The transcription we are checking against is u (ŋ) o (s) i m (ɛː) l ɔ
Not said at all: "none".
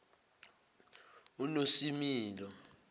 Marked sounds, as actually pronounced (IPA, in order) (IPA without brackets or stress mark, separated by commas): n, s, iː